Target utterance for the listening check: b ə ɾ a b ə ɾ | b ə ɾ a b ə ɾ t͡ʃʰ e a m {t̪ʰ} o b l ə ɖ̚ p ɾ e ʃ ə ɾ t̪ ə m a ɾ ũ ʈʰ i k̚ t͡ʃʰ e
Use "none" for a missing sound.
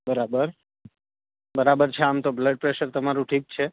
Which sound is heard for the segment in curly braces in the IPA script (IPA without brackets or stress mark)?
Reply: t̪